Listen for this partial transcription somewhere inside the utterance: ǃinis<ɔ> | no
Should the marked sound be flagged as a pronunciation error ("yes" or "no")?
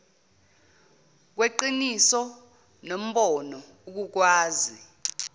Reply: no